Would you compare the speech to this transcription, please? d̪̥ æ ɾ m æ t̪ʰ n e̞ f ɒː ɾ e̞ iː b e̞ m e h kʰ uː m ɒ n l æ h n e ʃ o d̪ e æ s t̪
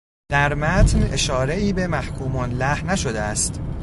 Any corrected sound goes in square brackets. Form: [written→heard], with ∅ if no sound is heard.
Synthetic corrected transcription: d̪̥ æ ɾ m æ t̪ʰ n e̞ [f→ʃ] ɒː ɾ e̞ iː b e̞ m [e→æ] h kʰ uː m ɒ n l æ h n [e→æ] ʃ o d̪ e æ s t̪